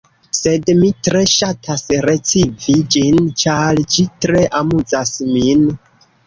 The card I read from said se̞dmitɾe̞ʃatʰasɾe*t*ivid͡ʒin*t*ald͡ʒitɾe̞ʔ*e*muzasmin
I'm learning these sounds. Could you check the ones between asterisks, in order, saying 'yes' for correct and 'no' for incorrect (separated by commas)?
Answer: no, no, no